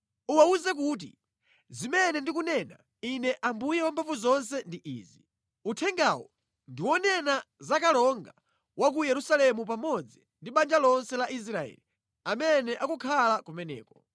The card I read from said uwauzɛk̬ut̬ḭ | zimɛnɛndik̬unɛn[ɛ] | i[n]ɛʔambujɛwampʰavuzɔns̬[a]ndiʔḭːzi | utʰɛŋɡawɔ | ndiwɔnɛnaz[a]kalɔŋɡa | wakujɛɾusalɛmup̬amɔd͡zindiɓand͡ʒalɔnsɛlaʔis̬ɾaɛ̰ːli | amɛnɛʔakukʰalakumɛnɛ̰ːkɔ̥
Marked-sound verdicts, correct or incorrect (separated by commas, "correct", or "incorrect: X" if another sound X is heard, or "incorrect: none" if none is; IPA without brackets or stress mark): incorrect: a, correct, incorrect: ɛ, correct